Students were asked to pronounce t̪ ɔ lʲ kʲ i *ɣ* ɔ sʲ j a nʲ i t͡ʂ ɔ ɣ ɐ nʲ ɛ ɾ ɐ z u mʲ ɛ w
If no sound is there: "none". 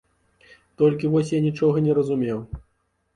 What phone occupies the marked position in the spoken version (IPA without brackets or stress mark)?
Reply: v